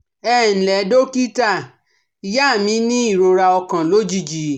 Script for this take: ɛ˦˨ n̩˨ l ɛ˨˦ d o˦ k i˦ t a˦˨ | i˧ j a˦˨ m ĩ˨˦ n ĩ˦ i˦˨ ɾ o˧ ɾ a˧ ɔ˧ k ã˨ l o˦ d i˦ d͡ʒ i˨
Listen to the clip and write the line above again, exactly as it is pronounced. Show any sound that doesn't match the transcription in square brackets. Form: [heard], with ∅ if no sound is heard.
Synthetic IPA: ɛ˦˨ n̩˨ l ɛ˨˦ d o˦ k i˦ t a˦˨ | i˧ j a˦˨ m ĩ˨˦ n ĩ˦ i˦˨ ɾ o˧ ɾ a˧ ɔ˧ k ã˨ l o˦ [d͡ʒ] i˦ d͡ʒ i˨